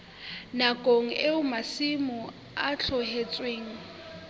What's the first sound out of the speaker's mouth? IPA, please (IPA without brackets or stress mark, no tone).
n